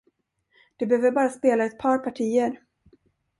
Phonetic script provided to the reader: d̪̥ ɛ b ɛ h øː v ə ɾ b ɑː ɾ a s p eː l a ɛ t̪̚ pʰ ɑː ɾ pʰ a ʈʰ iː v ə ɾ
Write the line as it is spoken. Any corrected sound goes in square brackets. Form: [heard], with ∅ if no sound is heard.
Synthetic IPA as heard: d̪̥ ɛ b ɛ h øː v ə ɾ b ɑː ɾ a s p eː l a ɛ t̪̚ pʰ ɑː ɾ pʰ a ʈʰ iː [∅] ə ɾ